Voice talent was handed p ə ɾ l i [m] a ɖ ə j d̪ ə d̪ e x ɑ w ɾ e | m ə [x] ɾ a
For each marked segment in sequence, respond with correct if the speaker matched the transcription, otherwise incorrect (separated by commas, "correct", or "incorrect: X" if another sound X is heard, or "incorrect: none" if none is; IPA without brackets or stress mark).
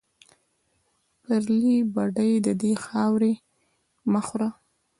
incorrect: b, correct